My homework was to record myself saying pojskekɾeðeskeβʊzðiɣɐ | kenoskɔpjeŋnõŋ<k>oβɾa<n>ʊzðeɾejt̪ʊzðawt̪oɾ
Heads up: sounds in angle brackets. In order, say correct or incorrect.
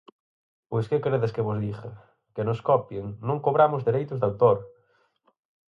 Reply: correct, incorrect: m

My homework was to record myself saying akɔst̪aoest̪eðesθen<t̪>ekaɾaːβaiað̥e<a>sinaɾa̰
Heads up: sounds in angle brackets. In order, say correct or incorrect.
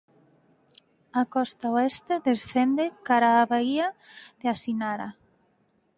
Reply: incorrect: d̪, correct

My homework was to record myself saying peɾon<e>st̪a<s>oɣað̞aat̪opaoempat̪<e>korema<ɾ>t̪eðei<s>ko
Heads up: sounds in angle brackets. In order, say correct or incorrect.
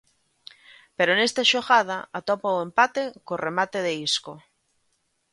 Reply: correct, incorrect: ʃ, correct, incorrect: none, correct

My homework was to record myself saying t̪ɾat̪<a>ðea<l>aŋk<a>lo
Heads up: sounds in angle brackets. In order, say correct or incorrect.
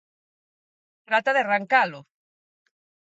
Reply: correct, incorrect: r, correct

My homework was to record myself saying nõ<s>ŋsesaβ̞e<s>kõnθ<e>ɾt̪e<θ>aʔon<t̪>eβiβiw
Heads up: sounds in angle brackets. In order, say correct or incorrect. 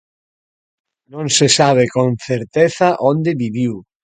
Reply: incorrect: none, incorrect: none, correct, correct, incorrect: d̪

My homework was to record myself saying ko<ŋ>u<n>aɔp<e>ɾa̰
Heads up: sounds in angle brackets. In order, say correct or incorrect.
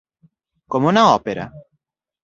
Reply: incorrect: m, correct, correct

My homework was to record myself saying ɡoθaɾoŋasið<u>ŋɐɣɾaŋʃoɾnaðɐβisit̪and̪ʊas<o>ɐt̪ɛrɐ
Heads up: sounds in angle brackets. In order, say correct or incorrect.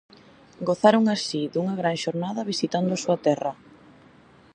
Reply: correct, incorrect: u

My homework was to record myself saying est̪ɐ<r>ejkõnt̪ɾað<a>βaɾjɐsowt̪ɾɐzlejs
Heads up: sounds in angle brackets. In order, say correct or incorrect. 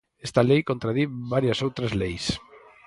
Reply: incorrect: l, incorrect: i

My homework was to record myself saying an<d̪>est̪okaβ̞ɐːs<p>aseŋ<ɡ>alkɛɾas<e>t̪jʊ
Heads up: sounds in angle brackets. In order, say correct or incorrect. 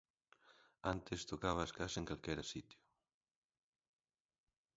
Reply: incorrect: t̪, incorrect: k, incorrect: k, incorrect: i

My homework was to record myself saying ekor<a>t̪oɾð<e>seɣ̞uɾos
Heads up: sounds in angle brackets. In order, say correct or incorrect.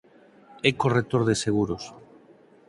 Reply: incorrect: e, correct

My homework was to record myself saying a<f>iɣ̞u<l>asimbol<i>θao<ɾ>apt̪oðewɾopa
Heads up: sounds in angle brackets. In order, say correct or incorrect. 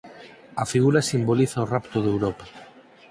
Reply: correct, incorrect: ɾ, correct, incorrect: r

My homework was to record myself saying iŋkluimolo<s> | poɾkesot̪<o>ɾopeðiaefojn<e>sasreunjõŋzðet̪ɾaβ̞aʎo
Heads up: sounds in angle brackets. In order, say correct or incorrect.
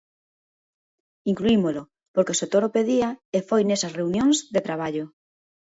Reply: incorrect: none, correct, correct

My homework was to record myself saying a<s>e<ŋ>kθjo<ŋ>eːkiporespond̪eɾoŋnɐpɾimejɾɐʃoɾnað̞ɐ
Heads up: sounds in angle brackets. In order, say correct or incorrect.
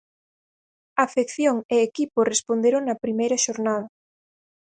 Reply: incorrect: f, incorrect: none, correct

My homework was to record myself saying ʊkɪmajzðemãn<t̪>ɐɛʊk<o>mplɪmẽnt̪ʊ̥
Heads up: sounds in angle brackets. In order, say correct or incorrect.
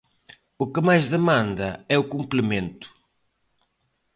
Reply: incorrect: d̪, incorrect: u

